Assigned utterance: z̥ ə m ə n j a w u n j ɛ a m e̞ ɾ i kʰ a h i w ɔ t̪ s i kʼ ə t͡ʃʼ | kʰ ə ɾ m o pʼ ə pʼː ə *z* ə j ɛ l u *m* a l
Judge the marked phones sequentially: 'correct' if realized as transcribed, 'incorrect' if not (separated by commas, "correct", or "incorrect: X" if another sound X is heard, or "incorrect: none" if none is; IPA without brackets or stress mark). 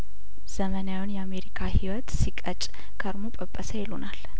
incorrect: s, incorrect: n